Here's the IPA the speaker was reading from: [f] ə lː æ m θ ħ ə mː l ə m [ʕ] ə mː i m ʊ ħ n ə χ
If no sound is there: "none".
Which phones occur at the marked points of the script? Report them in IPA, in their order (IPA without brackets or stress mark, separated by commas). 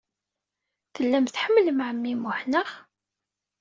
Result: θ, ʕ